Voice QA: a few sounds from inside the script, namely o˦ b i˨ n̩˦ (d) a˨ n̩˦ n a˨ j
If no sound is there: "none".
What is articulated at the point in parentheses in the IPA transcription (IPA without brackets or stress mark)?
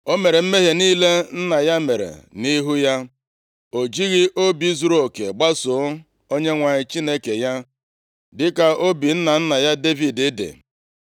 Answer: n